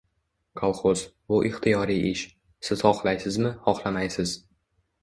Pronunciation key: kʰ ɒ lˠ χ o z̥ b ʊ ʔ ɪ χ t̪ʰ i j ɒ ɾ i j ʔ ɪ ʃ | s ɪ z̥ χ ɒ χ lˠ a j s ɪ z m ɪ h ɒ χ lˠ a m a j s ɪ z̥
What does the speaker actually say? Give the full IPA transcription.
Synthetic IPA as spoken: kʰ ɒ lˠ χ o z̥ b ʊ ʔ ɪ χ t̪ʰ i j ɒ ɾ i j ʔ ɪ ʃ | s ɪ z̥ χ ɒ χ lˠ a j s ɪ z m ɪ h ɒ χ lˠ a m a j s ɪ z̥